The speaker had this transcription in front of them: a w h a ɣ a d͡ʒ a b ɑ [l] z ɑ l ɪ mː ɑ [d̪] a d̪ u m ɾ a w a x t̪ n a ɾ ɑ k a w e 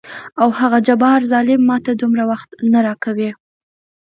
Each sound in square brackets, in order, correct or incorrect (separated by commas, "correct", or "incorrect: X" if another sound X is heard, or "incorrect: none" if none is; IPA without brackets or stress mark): incorrect: ɾ, incorrect: t̪